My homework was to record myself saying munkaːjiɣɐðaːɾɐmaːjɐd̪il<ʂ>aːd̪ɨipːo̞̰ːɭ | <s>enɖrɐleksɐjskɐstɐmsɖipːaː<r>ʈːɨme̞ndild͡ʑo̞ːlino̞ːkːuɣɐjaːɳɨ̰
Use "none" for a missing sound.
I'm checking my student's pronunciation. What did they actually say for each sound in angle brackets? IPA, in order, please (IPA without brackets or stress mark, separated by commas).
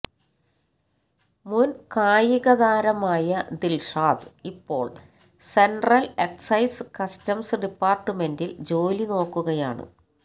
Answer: ʂ, s, r